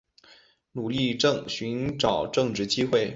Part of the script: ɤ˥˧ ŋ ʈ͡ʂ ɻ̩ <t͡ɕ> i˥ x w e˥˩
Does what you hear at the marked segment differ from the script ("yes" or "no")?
no